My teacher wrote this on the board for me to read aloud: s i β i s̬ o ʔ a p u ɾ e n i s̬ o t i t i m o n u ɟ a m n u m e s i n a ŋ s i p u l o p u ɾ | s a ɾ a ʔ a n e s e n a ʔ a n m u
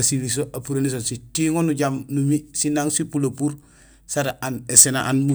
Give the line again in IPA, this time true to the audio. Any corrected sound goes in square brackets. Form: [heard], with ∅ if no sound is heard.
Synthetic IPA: s i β i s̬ o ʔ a p u ɾ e n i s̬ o [s] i t i [ŋ] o n u ɟ a m n u m [i] s i n a ŋ s i p u l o p u ɾ | s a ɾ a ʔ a n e s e n a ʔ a n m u